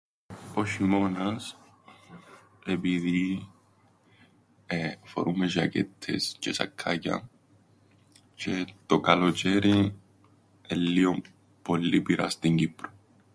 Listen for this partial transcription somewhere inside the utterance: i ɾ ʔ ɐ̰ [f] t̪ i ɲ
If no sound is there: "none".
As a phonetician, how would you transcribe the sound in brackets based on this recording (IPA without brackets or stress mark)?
s